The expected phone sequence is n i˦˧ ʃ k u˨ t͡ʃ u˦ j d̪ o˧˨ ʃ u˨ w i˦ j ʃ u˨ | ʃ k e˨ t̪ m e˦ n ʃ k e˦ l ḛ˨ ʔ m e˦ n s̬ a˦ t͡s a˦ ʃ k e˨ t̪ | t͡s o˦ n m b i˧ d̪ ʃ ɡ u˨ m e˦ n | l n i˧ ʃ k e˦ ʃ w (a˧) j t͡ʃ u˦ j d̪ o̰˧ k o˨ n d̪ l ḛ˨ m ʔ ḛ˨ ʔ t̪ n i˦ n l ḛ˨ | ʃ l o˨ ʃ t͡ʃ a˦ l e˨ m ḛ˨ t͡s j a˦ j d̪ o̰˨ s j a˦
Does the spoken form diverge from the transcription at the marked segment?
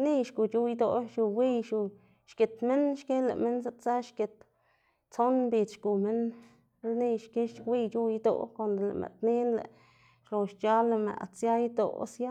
yes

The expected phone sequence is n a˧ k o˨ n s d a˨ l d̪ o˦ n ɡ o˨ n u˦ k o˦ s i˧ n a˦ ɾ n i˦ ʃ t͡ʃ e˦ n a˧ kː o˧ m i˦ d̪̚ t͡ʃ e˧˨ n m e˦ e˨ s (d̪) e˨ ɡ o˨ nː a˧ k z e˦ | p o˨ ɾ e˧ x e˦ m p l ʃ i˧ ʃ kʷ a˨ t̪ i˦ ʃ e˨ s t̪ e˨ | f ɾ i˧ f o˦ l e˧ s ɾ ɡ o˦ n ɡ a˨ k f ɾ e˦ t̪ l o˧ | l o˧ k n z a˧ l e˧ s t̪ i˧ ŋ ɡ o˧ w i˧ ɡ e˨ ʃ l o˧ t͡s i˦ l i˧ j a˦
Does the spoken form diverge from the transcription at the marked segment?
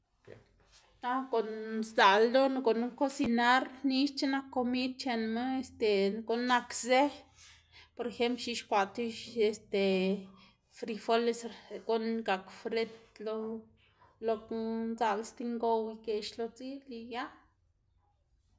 yes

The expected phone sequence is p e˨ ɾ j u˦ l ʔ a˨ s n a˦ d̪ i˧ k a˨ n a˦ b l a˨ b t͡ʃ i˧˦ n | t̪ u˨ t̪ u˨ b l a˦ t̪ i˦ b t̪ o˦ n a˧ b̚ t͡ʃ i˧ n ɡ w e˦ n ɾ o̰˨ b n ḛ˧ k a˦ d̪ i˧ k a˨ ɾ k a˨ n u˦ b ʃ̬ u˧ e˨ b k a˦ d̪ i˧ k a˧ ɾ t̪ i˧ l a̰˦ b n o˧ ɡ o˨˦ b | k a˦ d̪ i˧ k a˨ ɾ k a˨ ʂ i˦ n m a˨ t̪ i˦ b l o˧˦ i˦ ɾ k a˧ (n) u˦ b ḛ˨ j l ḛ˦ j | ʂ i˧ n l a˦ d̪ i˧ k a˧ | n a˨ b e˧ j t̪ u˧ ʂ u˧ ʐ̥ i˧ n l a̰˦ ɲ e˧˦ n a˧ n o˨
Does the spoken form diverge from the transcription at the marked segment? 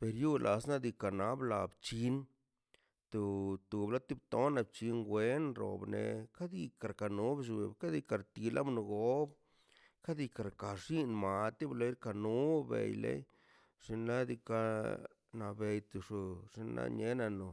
no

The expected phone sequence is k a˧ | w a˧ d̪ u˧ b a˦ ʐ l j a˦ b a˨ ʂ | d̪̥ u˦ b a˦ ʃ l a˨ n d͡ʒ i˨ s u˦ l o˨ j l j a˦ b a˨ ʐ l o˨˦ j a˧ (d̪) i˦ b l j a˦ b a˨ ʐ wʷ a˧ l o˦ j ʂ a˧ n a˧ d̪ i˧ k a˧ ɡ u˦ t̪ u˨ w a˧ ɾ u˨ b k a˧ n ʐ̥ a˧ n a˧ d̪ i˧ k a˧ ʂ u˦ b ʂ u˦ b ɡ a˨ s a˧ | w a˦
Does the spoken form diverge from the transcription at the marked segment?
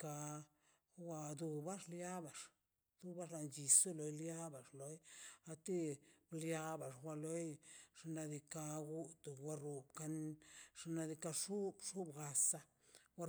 yes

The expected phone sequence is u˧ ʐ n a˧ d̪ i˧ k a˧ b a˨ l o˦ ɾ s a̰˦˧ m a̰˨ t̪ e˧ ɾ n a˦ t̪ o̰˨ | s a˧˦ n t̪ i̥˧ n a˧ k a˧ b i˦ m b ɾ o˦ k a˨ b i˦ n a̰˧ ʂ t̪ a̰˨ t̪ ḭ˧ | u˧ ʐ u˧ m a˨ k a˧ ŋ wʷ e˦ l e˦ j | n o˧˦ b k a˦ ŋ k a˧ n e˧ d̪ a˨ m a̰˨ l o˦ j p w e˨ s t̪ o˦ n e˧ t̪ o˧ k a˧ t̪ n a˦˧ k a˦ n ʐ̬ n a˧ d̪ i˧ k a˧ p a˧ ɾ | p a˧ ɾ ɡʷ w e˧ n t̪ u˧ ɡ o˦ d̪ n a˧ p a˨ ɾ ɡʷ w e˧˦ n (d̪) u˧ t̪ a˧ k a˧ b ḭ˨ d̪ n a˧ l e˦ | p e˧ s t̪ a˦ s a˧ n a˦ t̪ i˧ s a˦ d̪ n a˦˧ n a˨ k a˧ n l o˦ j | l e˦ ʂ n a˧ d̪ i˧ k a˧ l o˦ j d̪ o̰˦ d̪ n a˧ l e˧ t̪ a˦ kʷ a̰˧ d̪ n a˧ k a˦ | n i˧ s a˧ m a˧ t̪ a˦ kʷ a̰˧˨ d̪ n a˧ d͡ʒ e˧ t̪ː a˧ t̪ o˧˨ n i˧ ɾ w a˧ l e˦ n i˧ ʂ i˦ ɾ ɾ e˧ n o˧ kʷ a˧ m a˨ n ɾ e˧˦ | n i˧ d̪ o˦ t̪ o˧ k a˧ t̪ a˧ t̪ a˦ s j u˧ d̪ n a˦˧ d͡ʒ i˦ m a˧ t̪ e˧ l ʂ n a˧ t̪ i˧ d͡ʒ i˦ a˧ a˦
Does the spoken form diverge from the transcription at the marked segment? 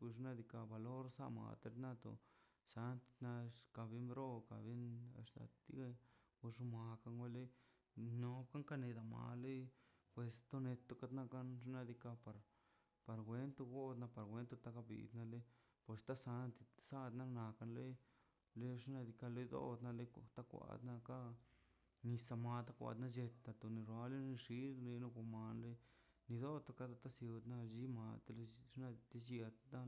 yes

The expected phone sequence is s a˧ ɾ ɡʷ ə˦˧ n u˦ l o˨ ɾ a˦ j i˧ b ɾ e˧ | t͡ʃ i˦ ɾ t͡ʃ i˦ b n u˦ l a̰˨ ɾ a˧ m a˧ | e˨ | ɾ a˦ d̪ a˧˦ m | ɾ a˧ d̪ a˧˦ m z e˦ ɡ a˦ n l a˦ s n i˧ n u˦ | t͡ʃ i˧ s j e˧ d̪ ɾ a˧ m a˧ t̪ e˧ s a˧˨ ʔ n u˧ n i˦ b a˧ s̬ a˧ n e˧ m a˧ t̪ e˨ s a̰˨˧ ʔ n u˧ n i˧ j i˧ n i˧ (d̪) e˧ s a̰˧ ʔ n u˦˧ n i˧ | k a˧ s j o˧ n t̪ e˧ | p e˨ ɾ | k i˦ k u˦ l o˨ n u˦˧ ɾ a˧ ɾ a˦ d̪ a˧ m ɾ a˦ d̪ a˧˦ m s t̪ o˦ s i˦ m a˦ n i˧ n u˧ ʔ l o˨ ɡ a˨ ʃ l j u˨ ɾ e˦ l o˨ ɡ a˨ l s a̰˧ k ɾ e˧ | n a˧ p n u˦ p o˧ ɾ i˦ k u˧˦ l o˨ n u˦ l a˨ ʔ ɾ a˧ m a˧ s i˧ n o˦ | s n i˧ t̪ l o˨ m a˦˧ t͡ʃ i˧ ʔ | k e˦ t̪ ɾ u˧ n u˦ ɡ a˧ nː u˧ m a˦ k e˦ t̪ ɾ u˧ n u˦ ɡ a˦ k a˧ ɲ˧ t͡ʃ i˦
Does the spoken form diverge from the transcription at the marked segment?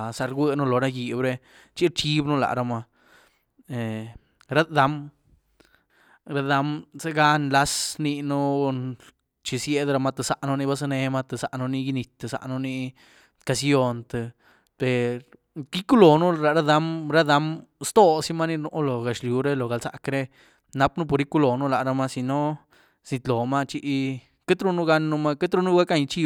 yes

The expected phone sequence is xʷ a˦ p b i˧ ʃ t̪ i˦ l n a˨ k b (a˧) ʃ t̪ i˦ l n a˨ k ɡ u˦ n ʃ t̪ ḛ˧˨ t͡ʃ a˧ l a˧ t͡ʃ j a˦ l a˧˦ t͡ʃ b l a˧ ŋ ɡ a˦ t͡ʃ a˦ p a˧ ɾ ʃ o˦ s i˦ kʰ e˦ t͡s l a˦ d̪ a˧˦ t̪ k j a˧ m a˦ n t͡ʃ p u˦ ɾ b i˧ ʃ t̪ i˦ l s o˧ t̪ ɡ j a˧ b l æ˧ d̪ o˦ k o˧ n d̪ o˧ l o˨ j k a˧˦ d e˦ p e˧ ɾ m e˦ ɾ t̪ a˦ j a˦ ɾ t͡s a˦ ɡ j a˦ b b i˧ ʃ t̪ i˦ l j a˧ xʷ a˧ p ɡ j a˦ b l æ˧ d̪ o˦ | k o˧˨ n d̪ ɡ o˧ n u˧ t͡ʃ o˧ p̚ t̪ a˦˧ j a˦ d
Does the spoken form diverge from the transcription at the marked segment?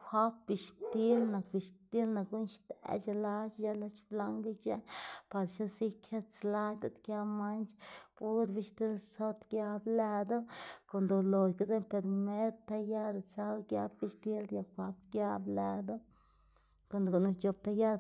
yes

